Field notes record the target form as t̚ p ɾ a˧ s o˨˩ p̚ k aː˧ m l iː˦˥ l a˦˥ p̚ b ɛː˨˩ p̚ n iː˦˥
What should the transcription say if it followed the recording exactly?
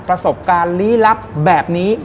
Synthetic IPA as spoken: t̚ p ɾ a˧ s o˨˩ p̚ k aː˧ n l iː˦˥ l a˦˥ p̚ b ɛː˨˩ p̚ n iː˦˥